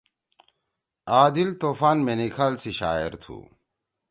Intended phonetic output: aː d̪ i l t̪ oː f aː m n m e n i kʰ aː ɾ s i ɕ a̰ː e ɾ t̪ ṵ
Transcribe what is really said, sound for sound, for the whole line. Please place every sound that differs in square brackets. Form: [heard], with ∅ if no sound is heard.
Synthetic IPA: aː d̪ i l t̪ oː f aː [∅] n m e n i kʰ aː [l] s i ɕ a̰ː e ɾ [t̪ʰ] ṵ

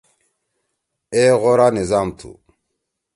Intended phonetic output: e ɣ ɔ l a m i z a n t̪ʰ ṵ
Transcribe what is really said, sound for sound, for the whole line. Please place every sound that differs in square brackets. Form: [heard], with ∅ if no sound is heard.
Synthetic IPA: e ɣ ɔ [ɾ] a [n] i z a [m] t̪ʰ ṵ

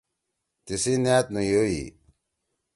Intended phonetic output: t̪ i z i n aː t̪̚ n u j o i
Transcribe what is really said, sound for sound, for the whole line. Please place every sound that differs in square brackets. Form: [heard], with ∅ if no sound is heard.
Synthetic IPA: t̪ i [s] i n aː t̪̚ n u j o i

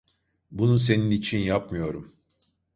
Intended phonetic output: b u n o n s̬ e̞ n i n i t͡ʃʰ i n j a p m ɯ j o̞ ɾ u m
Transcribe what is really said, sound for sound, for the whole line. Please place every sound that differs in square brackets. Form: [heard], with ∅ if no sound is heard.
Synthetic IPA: b u n [u] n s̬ e̞ n i n i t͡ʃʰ i n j a p m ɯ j o̞ ɾ u m

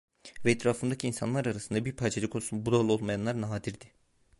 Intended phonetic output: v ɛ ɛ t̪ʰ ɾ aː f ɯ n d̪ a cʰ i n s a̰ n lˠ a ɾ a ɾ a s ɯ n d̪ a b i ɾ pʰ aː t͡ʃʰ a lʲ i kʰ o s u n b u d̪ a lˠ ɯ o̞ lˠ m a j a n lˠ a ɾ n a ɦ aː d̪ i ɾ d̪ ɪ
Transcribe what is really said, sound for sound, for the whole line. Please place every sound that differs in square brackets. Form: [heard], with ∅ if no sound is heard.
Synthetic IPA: v ɛ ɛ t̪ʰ ɾ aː f ɯ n d̪ a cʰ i n s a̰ n lˠ a ɾ a ɾ a s ɯ n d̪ a b i ɾ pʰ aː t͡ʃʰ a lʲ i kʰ o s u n b u d̪ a lˠ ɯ o̞ lˠ m a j a n lˠ a ɾ n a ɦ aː d̪ i ɾ d̪ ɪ

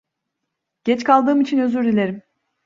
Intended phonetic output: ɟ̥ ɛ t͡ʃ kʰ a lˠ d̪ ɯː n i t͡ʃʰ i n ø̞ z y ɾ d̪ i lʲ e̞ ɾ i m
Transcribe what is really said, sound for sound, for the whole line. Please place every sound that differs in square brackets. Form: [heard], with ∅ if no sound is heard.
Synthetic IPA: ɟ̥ ɛ t͡ʃ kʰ a lˠ d̪ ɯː [m] i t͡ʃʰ i n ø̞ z y ɾ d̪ i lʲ e̞ ɾ i m

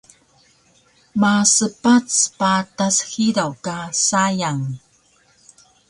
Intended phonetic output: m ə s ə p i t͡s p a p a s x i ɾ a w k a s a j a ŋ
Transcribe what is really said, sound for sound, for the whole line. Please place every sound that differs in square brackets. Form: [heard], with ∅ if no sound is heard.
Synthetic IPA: m [a] s ə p [a] t͡s p a [t] a s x i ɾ a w k a s a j a ŋ

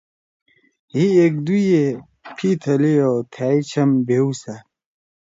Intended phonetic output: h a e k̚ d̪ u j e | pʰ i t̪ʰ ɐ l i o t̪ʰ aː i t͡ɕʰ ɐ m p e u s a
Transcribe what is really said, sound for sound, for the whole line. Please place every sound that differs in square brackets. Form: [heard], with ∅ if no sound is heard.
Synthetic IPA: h [i] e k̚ d̪ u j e | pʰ i t̪ʰ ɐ l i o t̪ʰ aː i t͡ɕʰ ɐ m [b] e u s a

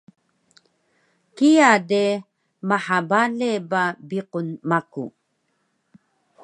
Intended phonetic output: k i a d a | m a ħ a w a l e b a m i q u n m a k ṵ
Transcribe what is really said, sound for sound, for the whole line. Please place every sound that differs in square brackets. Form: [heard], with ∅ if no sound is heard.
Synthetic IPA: k i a d [e] | m a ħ a [b] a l e b a [b] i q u n m a k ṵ

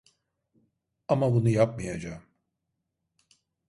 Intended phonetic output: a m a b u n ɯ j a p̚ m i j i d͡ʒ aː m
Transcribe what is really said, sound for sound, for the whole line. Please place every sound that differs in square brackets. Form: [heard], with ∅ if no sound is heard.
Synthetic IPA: a m a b u n [u] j a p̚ m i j [a] d͡ʒ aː m

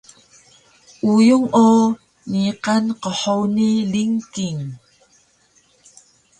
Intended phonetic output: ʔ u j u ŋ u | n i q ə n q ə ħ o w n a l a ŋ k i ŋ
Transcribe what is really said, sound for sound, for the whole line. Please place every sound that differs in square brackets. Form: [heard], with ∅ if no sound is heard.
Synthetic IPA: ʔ u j u ŋ [o] | n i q [a] n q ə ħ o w n [i] l [i] ŋ k i ŋ

